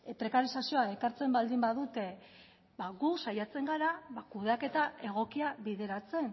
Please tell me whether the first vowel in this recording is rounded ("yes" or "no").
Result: no